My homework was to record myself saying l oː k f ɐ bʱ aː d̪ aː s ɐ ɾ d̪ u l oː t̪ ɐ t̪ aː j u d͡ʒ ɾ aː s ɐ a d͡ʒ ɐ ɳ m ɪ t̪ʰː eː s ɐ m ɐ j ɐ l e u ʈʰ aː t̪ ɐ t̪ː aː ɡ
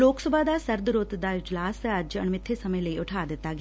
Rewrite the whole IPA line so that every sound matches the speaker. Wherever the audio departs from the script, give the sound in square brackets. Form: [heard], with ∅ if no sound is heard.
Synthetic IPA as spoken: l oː k [s] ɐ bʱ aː d̪ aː s ɐ ɾ d̪ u [ɾ] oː t̪ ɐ [d̪] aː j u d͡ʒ [l] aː s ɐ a d͡ʒ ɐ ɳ m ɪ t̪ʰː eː s ɐ m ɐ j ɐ l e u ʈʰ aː [d̪] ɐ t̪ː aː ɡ